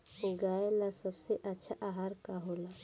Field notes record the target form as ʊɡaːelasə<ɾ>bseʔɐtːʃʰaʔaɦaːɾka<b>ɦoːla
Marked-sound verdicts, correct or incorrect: incorrect, incorrect

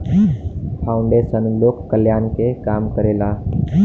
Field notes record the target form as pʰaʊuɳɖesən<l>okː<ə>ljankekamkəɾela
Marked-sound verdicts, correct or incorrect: correct, correct

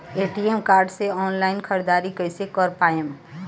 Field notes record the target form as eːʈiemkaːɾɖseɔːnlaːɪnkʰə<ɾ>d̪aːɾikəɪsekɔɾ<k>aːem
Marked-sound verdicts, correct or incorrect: correct, incorrect

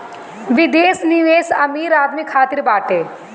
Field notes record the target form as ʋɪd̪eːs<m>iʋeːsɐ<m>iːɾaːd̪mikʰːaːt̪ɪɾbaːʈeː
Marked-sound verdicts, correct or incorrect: incorrect, correct

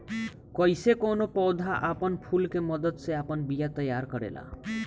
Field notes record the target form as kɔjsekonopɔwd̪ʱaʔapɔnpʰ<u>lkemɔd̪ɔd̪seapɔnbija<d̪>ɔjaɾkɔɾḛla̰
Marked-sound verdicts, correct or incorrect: correct, incorrect

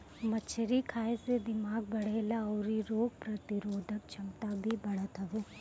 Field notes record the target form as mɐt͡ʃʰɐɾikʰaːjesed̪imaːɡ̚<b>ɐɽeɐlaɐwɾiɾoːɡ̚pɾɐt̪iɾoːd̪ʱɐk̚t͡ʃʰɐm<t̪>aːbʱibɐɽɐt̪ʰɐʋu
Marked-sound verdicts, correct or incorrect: correct, correct

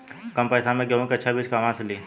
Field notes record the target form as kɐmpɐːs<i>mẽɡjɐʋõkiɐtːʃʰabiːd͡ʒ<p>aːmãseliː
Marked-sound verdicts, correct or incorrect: incorrect, incorrect

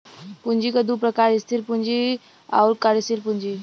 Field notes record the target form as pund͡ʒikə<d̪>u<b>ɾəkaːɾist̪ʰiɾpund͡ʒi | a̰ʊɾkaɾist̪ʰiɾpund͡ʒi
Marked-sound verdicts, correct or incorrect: correct, incorrect

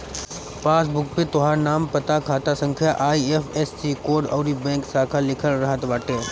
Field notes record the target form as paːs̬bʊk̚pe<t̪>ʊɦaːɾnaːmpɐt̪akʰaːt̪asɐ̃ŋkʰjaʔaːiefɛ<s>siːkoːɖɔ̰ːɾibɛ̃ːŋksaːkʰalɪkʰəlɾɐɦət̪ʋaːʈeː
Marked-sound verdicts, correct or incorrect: correct, correct

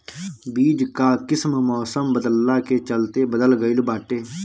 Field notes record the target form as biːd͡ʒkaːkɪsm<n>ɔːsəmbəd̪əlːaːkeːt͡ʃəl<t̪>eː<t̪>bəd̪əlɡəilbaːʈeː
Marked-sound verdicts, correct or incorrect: incorrect, correct, incorrect

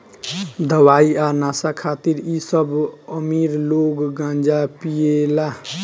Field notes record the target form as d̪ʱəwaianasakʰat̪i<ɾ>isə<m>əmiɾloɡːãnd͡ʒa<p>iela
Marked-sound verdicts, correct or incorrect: correct, incorrect, correct

